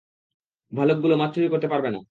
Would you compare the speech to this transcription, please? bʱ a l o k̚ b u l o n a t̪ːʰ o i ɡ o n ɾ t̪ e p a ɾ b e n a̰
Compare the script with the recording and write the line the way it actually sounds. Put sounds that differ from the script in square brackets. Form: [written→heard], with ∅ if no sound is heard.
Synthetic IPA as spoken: bʱ a l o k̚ [b→ɡ] u l o [n→m] a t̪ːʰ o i [ɡ→k] o [n→∅] ɾ t̪ e p a ɾ b e n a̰